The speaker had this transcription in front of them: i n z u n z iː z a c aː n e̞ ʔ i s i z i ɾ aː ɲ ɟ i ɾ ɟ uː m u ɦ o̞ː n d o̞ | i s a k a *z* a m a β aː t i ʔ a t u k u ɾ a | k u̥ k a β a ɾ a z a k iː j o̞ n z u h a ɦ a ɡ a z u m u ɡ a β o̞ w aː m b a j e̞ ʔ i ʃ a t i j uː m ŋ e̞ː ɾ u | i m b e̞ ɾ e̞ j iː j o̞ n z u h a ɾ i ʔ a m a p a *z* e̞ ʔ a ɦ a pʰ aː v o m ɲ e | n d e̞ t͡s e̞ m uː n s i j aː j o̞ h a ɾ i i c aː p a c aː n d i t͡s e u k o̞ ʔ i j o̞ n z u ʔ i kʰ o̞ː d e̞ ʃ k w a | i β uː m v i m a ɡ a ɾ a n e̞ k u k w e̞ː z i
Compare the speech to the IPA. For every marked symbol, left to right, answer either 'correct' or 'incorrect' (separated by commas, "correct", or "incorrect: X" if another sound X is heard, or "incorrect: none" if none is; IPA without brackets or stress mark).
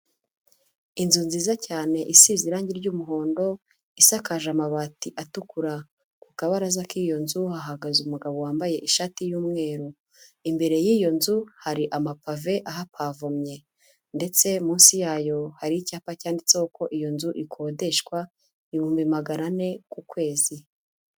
incorrect: ʒ, incorrect: v